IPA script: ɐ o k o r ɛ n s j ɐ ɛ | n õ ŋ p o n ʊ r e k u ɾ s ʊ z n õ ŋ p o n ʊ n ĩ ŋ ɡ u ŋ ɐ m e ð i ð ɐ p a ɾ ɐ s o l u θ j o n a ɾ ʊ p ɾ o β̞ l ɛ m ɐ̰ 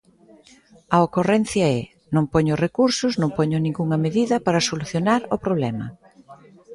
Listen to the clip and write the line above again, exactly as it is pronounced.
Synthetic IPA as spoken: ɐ o k o r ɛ n θ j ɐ ɛ | n õ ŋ p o ɲ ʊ r e k u ɾ s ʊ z n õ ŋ p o ɲ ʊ n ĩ ŋ ɡ u ŋ ɐ m e ð i ð ɐ p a ɾ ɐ s o l u θ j o n a ɾ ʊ p ɾ o β̞ l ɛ m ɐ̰